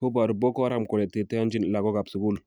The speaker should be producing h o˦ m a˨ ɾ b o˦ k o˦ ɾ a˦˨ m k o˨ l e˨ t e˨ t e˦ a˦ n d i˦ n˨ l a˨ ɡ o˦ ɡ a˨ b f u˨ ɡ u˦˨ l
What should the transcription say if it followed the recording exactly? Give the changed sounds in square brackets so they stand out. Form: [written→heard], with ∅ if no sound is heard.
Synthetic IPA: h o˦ [m→b] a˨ ɾ b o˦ k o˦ ɾ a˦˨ m k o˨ l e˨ t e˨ t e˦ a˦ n [d→d͡ʒ] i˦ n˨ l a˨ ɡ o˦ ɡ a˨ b [f→s] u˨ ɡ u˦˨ l